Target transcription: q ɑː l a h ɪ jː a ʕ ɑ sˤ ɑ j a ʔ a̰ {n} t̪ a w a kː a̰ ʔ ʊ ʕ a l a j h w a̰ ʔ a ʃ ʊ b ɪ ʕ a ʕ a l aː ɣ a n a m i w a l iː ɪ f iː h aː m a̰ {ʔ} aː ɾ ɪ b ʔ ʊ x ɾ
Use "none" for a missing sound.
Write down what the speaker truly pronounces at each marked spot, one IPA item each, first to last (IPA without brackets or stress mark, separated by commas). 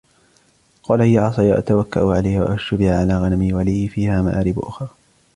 none, ʔ